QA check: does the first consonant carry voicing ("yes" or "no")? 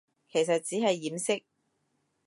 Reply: no